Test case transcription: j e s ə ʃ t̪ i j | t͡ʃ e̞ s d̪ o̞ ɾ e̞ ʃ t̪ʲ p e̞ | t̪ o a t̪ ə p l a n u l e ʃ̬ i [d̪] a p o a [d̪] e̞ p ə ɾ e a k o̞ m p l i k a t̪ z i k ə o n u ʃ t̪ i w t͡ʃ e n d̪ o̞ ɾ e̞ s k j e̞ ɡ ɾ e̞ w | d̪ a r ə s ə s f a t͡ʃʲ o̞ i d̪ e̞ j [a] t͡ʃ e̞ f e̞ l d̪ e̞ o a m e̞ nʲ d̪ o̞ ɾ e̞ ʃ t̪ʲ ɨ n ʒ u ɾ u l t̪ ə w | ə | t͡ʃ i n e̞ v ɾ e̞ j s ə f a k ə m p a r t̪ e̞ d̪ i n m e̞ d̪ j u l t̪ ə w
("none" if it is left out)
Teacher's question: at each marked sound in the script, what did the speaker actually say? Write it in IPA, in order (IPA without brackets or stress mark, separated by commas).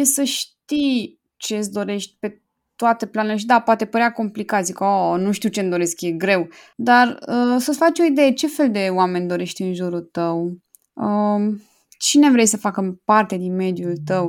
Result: d̪, t̪, e